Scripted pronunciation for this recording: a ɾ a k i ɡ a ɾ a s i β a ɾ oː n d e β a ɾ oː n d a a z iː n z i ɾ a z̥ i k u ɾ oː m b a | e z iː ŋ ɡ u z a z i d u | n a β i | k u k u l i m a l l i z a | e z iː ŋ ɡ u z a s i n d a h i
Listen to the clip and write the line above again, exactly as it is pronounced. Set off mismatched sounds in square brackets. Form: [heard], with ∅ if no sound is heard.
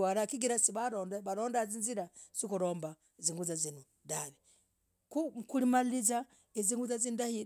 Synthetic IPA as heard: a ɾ a k i ɡ [i] ɾ a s i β a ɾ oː n d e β a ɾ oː n d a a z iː n z i ɾ a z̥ i k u ɾ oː m b a | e z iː ŋ ɡ u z a z i [n] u | [d] a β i | k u k u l i m a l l i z a | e z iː ŋ ɡ u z a [z] i n d a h i